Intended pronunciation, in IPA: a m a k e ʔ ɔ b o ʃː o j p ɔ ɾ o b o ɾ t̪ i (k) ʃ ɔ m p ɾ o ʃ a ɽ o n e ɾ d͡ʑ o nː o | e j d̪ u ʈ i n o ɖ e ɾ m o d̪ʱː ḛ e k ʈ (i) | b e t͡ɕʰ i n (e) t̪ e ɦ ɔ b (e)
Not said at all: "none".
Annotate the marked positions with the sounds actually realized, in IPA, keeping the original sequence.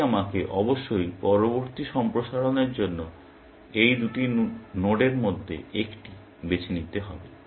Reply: none, i, i, e

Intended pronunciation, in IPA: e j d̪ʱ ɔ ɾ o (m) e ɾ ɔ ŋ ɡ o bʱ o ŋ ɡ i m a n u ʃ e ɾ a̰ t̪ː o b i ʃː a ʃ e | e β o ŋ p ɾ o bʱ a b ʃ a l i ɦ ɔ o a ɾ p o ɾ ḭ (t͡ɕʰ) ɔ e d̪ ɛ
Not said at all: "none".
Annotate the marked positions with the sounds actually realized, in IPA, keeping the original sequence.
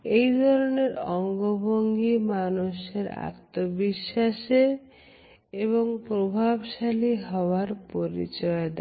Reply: n, t͡ɕ

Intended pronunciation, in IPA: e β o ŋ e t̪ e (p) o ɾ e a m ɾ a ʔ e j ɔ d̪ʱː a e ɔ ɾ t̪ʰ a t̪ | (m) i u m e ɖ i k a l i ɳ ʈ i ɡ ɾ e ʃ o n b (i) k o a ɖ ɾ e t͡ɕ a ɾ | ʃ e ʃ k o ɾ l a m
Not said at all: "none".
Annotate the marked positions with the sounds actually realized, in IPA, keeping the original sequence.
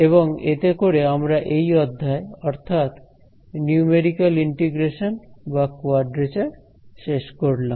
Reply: k, n, a

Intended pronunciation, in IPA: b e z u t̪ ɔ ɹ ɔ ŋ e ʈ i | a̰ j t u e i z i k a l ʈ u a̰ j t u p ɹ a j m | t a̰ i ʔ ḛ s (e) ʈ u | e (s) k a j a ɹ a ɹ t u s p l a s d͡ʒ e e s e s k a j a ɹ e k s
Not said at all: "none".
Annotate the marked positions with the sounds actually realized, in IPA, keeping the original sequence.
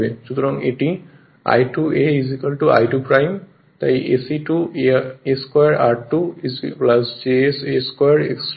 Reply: i, s

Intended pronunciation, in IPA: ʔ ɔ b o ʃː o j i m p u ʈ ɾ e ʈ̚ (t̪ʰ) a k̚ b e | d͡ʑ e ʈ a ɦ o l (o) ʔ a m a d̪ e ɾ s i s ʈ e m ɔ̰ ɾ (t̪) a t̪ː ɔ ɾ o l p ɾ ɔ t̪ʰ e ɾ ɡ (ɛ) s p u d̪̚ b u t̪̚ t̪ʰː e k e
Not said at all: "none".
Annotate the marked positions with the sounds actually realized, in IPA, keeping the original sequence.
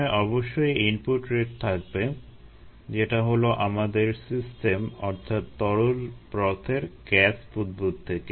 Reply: t̪ʰ, o, t̪ʰ, ɛ

